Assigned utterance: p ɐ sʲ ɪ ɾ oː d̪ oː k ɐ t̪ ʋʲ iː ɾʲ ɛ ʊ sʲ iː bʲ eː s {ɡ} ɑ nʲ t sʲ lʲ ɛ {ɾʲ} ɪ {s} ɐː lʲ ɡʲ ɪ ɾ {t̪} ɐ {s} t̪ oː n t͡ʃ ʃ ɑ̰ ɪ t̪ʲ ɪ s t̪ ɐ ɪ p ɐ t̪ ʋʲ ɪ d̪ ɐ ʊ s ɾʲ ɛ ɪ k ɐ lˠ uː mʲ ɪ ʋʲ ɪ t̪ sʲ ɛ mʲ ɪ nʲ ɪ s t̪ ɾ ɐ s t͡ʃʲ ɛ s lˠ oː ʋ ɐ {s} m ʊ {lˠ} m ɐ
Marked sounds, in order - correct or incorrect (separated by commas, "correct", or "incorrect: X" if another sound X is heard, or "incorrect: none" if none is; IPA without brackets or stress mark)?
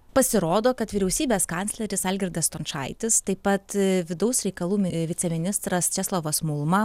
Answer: incorrect: k, correct, correct, incorrect: d̪, correct, correct, correct